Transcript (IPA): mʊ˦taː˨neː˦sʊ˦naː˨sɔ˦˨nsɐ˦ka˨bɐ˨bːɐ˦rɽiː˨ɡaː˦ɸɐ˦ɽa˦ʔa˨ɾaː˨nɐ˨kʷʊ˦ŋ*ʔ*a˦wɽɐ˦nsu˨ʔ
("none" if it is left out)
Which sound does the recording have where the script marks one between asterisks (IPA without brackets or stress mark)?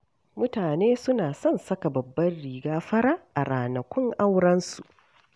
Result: ʔ